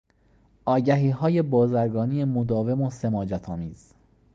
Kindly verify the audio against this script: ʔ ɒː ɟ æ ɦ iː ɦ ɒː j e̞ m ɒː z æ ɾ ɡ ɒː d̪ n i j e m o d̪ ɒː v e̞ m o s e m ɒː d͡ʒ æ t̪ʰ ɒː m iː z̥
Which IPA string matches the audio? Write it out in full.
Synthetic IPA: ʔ ɒː ɟ æ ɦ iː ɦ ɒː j e̞ b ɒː z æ ɾ ɡ ɒː n i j e m o d̪ ɒː v e̞ m o s e m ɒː d͡ʒ æ t̪ʰ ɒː m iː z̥